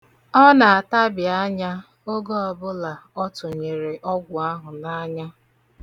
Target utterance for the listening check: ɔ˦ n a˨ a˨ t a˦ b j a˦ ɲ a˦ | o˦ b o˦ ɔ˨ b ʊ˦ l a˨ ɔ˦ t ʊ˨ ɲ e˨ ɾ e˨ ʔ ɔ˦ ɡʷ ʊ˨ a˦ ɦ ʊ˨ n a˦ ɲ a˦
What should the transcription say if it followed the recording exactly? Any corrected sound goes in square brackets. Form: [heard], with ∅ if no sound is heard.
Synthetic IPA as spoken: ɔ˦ n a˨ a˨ t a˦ b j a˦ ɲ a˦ | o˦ [ɡ] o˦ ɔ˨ b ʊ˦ l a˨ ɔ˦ t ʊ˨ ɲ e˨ ɾ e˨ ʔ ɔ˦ ɡʷ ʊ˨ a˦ ɦ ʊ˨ n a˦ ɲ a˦